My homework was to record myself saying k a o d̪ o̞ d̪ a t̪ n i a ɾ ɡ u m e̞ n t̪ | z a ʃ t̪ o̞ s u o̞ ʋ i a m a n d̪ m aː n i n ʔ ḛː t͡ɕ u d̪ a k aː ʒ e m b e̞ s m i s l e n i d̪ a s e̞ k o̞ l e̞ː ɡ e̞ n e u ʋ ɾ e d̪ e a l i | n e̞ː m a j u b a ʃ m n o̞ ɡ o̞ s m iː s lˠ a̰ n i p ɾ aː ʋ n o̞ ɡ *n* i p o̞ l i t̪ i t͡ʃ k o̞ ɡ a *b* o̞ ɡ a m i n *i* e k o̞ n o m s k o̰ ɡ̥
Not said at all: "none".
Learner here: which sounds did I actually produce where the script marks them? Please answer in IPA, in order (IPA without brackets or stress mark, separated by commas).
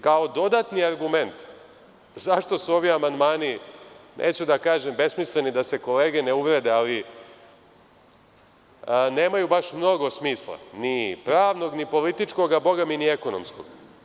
n, b, i